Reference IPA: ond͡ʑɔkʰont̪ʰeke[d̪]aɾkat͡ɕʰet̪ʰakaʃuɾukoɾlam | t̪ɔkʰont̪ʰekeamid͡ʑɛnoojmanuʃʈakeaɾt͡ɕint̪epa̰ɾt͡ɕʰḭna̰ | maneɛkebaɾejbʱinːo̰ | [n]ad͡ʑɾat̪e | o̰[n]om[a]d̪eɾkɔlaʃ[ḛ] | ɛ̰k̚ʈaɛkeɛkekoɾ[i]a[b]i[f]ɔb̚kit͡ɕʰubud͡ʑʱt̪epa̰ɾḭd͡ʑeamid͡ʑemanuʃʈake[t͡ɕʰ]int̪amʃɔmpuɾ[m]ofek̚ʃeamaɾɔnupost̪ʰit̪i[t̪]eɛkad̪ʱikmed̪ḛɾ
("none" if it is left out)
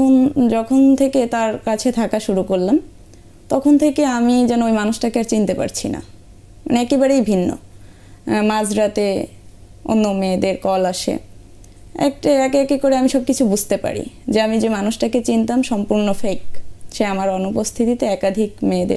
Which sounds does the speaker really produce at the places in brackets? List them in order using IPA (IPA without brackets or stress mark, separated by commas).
t̪, m, nː, e, ḛ, e, m, ʃ, t͡ɕ, n, t̪